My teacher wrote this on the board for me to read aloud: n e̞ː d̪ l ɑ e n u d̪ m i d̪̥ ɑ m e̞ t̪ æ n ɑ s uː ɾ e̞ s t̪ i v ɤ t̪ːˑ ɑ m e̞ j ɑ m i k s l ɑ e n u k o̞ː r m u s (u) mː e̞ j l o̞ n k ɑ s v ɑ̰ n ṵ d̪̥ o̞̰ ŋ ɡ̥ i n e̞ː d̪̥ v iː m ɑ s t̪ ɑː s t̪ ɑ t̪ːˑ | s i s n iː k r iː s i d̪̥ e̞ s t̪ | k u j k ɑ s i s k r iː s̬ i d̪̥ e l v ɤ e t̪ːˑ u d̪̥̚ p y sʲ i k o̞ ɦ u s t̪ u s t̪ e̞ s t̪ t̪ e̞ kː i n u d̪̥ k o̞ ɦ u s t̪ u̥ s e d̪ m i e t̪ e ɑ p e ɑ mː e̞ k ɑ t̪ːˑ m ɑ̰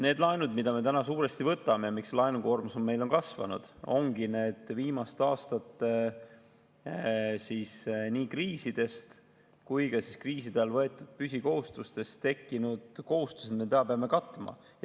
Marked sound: incorrect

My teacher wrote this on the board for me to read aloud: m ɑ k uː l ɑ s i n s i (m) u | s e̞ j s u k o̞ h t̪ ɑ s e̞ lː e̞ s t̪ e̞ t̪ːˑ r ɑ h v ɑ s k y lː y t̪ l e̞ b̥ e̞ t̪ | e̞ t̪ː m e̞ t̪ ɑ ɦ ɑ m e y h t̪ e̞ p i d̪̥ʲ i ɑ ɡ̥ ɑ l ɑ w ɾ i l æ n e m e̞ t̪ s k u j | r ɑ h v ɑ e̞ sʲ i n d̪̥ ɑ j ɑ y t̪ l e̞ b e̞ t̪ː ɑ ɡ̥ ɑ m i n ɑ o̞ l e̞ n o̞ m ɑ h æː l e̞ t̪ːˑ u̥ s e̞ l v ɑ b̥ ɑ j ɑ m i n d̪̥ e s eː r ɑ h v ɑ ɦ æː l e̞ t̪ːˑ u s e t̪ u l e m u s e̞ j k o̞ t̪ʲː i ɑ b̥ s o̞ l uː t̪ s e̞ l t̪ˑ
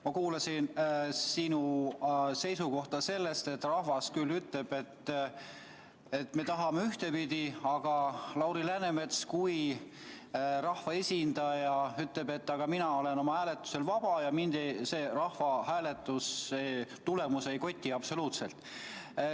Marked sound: incorrect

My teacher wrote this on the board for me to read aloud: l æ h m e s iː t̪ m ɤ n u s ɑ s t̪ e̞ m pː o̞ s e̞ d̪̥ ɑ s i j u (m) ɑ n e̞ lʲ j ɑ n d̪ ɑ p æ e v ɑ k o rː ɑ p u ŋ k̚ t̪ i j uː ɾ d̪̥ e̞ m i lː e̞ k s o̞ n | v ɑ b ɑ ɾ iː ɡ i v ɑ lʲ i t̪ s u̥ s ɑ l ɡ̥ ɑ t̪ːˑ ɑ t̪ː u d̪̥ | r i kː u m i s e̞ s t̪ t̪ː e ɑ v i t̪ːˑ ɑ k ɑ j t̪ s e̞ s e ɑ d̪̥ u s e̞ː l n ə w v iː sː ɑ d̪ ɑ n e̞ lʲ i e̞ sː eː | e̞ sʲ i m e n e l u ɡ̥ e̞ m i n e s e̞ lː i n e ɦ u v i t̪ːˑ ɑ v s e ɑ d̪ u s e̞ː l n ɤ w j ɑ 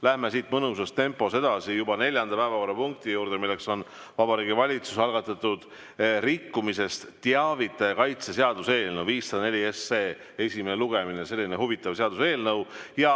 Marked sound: incorrect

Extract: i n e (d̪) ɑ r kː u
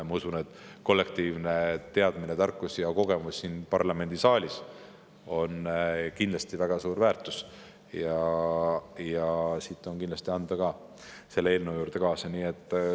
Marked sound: incorrect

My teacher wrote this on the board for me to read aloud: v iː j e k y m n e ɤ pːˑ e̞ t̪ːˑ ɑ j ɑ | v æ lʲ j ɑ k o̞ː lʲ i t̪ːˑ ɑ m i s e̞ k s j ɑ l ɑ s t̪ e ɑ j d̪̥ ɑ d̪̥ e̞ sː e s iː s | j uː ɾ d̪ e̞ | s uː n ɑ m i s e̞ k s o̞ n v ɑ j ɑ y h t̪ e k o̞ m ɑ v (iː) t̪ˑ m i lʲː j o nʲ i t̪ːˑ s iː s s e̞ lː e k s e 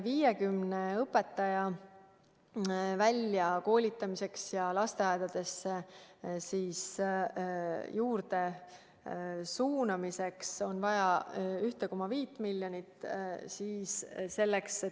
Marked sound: correct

